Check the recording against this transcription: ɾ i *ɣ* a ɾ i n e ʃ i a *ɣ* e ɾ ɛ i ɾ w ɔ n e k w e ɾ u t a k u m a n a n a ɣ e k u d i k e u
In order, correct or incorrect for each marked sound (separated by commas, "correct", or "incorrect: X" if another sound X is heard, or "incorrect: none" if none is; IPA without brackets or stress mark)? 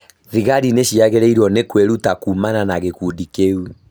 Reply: correct, correct